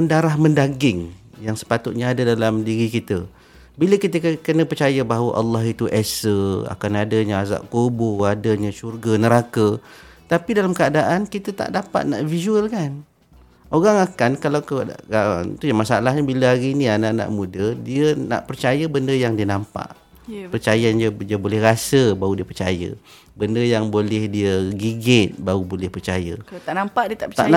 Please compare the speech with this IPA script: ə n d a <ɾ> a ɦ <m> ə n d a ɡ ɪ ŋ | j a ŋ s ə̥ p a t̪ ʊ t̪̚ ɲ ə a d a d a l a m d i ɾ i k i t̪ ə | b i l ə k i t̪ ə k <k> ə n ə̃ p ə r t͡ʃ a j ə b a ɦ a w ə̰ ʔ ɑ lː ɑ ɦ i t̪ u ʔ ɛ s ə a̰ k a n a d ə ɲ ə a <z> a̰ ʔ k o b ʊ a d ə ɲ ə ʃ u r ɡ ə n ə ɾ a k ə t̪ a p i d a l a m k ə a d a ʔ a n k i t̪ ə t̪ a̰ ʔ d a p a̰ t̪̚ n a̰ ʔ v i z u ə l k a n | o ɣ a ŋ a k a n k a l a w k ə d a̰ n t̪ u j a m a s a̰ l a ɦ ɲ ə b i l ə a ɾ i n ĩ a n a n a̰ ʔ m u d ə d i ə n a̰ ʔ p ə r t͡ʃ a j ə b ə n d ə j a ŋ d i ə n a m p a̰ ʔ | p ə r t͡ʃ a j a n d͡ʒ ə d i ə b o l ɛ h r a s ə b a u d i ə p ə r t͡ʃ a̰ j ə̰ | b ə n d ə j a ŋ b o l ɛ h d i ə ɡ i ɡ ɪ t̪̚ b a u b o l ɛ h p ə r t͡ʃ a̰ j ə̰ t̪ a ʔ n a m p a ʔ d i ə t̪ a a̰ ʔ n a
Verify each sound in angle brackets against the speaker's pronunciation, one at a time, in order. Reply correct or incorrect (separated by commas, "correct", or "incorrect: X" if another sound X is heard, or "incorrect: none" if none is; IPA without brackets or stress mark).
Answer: correct, correct, correct, correct